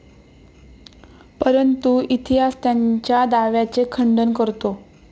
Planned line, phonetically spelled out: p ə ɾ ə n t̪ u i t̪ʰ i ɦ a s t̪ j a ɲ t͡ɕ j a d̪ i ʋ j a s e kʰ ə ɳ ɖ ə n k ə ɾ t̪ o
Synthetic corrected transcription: p ə ɾ ə n t̪ u i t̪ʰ i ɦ a s t̪ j a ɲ t͡ɕ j a d̪ a ʋ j a t͡s e kʰ ə ɳ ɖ ə n k ə ɾ t̪ o